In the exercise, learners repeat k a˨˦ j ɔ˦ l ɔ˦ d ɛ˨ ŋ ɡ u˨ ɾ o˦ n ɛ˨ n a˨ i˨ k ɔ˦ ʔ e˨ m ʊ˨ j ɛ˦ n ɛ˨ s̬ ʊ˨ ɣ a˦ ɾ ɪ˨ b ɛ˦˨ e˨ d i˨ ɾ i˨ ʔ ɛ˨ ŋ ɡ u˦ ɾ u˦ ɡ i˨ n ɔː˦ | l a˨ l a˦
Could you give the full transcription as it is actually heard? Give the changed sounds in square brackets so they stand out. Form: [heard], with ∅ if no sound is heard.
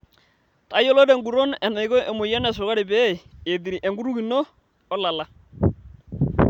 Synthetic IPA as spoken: [t] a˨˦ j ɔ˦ l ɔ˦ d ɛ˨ ŋ ɡ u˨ ɾ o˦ n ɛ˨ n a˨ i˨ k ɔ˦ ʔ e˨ m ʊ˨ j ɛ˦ n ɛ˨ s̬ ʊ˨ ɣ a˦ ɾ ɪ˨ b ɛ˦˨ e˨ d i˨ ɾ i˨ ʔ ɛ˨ ŋ ɡ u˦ ɾ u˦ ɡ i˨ n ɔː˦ | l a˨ l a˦